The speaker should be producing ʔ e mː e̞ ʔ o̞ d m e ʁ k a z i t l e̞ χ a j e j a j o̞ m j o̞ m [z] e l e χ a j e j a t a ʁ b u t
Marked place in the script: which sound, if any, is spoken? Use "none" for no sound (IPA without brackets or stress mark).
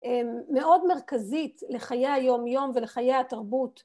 v